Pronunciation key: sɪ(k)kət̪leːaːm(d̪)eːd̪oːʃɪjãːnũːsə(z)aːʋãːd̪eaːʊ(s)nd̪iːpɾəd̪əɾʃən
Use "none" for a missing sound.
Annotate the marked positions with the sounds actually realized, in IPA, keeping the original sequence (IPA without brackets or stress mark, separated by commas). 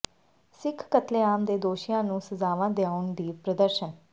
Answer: kʰ, d̪, z, none